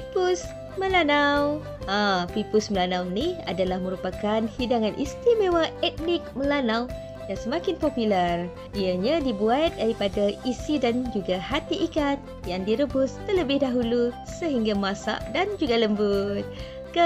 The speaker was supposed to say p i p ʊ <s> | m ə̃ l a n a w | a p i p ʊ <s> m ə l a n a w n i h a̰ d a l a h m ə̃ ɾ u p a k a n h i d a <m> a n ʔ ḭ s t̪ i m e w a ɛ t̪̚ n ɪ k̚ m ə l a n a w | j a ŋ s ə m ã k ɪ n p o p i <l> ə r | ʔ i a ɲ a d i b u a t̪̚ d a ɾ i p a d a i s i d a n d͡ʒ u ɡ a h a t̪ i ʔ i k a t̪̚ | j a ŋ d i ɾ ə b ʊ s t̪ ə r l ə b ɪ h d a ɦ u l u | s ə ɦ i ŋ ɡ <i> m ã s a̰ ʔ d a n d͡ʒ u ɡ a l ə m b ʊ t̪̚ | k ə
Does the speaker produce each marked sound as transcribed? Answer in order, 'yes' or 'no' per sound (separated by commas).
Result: yes, yes, no, yes, no